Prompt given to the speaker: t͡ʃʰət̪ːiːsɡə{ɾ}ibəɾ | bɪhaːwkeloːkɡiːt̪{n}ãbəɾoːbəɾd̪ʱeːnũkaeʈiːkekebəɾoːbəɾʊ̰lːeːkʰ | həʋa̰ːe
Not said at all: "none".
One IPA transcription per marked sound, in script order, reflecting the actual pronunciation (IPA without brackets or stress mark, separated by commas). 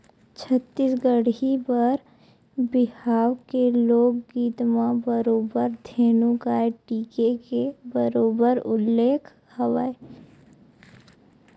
ɽ, m